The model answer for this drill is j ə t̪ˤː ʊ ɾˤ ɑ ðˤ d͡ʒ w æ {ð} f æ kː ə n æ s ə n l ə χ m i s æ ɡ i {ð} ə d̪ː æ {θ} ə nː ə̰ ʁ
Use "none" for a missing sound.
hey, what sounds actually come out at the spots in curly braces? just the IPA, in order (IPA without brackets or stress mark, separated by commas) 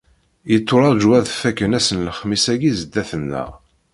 ð, z, θ